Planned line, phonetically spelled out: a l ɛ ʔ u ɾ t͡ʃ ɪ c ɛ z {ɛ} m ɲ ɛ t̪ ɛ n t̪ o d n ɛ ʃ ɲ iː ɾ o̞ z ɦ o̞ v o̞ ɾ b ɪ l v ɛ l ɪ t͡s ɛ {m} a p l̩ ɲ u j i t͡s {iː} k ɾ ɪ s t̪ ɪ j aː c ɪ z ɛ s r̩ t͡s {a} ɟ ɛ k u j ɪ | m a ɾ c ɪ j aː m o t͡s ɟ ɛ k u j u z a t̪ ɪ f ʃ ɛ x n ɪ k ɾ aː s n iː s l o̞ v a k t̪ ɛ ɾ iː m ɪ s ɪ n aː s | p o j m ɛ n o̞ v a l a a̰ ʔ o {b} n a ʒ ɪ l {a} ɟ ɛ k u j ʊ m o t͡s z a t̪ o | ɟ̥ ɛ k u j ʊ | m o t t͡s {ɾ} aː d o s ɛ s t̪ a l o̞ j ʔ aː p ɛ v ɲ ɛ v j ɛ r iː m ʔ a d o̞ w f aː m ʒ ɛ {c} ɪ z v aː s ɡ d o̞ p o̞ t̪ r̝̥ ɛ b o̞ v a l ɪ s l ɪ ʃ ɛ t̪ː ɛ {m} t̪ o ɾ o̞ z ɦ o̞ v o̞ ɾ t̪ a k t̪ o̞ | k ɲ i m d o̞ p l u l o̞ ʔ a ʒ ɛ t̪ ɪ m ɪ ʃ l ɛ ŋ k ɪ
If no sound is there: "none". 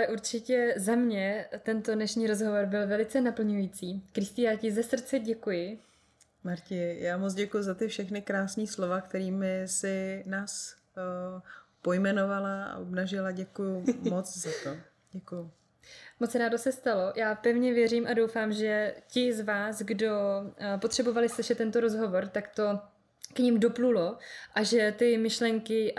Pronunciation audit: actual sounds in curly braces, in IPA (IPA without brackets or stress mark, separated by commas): a, n, iː, ɛ, b, a, ɾ, c, n